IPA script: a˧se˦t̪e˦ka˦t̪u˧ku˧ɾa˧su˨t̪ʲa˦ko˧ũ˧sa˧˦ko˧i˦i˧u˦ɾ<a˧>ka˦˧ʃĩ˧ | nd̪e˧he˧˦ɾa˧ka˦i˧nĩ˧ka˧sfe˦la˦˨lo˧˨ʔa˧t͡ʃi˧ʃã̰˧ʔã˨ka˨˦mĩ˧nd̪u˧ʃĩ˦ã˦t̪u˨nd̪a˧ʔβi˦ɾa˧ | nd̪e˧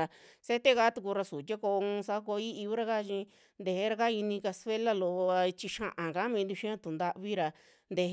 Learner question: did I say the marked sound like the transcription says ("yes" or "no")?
yes